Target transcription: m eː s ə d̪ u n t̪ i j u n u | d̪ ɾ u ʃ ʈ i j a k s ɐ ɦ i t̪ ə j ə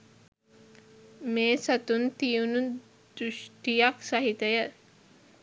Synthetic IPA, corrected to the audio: m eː s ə t̪ u n t̪ i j u n u | d̪ ɾ u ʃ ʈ i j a k s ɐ ɦ i t̪ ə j ə